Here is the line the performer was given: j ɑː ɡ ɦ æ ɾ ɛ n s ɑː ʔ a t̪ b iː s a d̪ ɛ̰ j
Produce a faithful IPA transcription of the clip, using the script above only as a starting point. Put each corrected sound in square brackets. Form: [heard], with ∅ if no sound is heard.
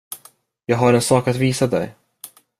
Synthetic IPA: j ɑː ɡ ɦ [a] ɾ ɛ n s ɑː [k] a t̪ [v] iː s a d̪ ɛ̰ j